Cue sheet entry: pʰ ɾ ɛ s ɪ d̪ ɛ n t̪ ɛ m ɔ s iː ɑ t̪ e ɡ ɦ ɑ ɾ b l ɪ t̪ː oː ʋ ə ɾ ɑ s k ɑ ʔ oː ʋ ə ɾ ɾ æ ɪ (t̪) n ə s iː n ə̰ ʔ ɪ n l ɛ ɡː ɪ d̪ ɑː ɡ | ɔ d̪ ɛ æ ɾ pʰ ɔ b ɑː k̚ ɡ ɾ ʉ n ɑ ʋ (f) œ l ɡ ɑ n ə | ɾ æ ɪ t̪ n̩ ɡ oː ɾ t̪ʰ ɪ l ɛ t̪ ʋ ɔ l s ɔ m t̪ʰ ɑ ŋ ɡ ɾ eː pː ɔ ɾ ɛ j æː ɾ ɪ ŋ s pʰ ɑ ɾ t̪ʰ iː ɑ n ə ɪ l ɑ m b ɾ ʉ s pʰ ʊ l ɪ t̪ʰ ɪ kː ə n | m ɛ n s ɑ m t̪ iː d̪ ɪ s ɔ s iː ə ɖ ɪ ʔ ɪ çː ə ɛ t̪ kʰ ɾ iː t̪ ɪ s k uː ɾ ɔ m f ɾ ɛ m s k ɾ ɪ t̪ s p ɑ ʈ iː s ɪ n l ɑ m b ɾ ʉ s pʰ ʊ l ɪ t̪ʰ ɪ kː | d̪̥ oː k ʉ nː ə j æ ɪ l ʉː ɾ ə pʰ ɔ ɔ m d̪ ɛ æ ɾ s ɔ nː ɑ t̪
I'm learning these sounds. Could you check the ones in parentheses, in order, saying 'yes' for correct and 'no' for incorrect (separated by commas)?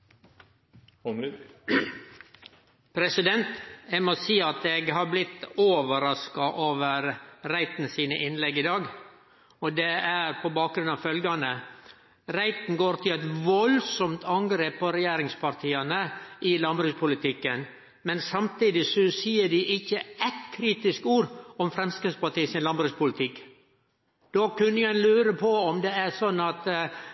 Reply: yes, yes